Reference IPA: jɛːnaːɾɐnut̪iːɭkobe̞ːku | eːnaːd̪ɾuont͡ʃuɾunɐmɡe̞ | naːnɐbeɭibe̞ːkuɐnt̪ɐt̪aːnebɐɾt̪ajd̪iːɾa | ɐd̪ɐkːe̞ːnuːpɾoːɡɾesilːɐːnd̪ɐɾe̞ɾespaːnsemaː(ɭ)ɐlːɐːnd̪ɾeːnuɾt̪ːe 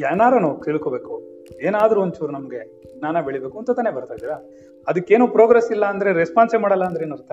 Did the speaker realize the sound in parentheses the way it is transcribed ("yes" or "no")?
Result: no